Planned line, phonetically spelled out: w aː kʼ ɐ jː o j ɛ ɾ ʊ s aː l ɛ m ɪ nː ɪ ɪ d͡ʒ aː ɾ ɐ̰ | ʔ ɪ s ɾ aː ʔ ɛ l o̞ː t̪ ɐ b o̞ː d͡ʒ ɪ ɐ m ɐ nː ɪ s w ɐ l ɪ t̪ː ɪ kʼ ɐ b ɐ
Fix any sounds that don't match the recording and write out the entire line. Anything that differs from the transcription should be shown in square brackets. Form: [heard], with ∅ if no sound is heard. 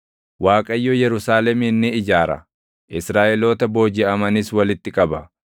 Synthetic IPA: w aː kʼ ɐ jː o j ɛ ɾ ʊ s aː l ɛ m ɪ nː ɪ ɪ d͡ʒ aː ɾ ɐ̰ | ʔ ɪ s ɾ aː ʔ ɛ l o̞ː t̪ ɐ b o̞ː d͡ʒ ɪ ɐ m ɐ [n] ɪ s w ɐ l ɪ t̪ː ɪ kʼ ɐ b ɐ